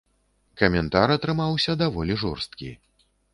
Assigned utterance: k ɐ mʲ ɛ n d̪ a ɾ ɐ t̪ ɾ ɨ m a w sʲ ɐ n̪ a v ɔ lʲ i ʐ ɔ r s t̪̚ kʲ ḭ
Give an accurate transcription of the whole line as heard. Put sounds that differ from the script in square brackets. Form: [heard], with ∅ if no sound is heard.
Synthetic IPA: k ɐ mʲ ɛ n [t̪] a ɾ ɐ t̪ ɾ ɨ m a w sʲ ɐ [d̪] a v ɔ lʲ i ʐ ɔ r s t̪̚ kʲ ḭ